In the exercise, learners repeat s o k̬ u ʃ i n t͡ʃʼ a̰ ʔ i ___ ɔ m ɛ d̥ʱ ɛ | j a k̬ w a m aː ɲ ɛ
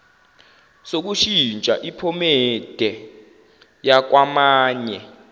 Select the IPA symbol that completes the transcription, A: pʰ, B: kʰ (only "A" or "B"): A